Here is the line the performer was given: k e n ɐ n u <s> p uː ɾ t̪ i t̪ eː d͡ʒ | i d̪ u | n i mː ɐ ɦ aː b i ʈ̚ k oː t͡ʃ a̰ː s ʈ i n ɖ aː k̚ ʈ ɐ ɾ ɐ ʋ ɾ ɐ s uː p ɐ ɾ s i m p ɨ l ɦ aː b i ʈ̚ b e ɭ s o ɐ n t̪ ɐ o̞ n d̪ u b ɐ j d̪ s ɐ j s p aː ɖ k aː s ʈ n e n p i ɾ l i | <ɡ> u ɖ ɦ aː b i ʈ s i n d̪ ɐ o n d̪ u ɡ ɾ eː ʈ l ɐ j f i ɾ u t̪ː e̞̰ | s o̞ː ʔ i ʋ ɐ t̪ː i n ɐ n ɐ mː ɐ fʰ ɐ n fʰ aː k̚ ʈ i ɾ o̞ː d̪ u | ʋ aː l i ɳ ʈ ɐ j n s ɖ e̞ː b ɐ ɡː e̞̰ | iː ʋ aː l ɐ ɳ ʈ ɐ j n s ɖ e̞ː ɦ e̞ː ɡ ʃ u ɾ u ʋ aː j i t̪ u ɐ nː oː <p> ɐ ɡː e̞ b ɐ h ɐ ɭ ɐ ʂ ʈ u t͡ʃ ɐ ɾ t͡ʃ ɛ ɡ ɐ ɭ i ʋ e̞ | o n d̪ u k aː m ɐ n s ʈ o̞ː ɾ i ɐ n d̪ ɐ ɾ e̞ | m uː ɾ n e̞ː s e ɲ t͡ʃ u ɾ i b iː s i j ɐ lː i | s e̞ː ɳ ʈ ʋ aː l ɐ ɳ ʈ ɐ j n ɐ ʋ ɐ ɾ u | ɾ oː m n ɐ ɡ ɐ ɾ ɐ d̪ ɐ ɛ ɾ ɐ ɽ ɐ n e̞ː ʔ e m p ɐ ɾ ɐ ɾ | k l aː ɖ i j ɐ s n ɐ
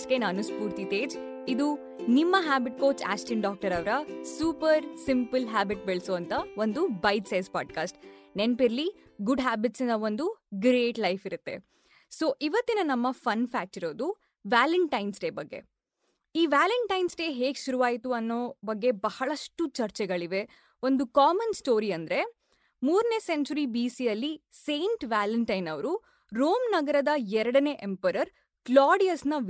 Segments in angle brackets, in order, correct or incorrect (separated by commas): correct, correct, incorrect